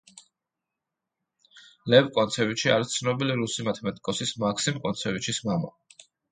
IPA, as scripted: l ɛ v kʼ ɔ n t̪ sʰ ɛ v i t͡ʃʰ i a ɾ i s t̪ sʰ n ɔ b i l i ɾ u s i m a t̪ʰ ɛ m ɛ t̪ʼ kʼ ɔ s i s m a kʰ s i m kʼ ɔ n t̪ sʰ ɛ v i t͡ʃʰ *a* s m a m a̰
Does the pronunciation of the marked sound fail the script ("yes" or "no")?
yes